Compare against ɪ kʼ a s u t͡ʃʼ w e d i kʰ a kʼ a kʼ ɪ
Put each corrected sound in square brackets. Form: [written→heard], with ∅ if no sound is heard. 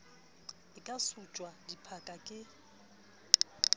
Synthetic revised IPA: ɪ kʼ a s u t͡ʃʼ w [e→a] d i [kʰ→pʰ] a kʼ a kʼ ɪ